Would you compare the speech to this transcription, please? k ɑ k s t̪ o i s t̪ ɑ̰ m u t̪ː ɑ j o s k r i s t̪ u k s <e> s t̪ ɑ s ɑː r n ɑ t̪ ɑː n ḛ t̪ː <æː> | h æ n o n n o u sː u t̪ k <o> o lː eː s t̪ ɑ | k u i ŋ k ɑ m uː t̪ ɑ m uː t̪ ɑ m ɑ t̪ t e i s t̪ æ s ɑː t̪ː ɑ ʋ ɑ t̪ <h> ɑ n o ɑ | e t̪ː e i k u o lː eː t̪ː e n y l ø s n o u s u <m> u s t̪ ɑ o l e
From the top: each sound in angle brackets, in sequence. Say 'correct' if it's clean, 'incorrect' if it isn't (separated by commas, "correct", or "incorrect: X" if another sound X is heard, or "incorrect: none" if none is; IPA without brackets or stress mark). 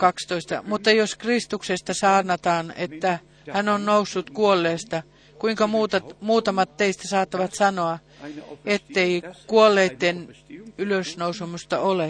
correct, incorrect: æ, incorrect: u, incorrect: s, correct